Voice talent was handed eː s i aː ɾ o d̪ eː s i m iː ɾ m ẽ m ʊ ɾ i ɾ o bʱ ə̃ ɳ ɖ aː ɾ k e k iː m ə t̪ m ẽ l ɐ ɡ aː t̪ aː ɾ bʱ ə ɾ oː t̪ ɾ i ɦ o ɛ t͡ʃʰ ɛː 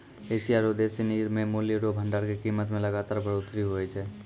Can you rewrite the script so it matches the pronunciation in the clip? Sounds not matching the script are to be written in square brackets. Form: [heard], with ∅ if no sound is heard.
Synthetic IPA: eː s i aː ɾ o d̪ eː s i [n] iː ɾ m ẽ m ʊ [l] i ɾ o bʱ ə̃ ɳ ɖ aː ɾ k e k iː m ə t̪ m ẽ l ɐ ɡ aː t̪ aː ɾ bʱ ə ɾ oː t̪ ɾ i ɦ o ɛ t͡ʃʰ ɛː